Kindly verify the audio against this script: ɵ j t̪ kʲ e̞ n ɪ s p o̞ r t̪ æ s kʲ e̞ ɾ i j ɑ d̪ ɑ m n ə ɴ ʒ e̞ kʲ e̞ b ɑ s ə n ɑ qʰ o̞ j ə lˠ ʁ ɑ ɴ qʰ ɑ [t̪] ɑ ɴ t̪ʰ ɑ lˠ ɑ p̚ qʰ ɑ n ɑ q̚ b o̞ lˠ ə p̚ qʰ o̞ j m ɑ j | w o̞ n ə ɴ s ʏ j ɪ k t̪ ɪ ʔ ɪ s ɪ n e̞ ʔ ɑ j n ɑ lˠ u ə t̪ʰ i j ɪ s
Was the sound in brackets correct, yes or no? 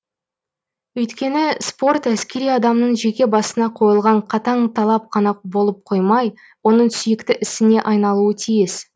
yes